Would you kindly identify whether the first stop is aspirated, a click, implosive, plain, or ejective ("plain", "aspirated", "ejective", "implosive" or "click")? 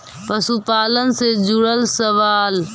plain